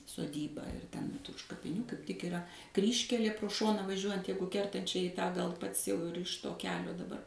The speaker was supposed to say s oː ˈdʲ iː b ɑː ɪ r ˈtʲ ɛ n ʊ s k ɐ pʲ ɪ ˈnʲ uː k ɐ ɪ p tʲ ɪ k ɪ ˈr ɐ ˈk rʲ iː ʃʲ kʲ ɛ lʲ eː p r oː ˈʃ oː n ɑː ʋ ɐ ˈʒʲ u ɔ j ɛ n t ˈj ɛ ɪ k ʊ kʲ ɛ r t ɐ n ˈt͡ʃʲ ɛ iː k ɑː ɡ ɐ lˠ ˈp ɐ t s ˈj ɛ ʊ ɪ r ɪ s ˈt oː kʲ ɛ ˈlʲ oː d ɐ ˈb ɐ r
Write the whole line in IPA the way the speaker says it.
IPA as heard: s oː ˈdʲ iː b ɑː ɪ r ˈtʲ ɛ n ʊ ʃ k ɐ pʲ ɪ ˈnʲ uː k ɐ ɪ p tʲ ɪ k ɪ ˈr ɐ ˈk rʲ iː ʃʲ kʲ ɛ lʲ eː p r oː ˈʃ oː n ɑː ʋ ɐ ˈʒʲ u ɔ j ɛ n t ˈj ɛ ɪ ɡ ʊ kʲ ɛ r t ɐ n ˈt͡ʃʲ ɛ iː t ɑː ɡ ɐ lˠ ˈp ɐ t s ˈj ɛ ʊ ɪ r ɪ ʃ ˈt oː kʲ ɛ ˈlʲ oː d ɐ ˈb ɐ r